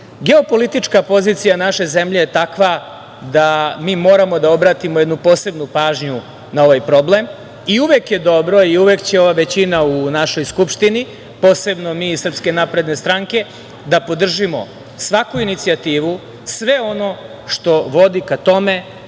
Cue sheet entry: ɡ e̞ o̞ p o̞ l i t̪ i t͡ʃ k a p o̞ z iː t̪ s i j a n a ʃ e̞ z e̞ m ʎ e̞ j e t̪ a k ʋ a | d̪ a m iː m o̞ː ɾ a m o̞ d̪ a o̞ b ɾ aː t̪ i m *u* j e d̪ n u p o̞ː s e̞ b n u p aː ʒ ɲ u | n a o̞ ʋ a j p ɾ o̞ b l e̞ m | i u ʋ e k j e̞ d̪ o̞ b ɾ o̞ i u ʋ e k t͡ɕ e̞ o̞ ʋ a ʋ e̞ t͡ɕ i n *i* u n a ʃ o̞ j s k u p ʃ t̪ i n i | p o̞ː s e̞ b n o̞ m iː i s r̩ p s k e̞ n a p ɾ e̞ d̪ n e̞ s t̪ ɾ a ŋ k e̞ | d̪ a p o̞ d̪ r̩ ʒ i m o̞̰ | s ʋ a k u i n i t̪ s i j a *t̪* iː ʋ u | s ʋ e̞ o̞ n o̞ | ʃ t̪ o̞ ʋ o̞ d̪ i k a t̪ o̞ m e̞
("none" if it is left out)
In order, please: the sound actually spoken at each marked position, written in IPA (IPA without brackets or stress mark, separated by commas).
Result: o, a, t̪